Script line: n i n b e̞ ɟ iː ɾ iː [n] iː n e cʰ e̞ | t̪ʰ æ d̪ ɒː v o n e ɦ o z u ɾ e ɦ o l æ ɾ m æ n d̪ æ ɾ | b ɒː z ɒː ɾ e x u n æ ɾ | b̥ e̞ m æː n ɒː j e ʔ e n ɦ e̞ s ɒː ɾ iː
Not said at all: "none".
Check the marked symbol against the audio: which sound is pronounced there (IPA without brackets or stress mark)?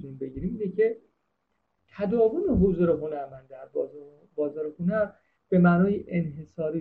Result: m